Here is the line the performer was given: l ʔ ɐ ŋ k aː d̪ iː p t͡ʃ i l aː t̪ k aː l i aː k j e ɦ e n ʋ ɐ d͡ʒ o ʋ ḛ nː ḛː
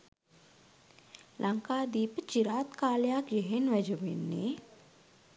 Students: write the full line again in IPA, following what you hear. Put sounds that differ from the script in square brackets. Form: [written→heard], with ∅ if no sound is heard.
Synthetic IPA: l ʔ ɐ ŋ k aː d̪ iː p t͡ʃ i [l→ɾ] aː t̪ k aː l [i→j] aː k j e ɦ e n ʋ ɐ d͡ʒ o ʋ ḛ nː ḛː